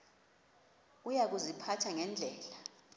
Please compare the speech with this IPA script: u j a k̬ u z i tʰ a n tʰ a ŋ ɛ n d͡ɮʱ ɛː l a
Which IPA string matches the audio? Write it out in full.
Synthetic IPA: u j a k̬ u z i pʰ a tʰ a ŋ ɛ n d͡ɮʱ ɛː l a